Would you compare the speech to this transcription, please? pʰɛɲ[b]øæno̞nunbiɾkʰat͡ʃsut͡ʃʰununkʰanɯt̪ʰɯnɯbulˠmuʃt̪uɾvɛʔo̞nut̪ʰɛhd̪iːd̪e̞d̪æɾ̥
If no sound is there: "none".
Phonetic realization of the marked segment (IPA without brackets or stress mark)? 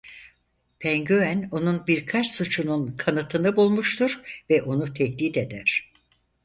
ɟ